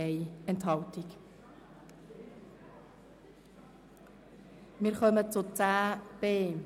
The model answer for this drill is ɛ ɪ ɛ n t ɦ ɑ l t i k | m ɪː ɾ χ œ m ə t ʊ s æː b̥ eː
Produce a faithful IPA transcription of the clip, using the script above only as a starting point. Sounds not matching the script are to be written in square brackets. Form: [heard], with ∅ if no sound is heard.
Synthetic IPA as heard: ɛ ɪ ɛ n t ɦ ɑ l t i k | m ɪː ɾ χ œ m ə [t͡s] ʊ [t͡s] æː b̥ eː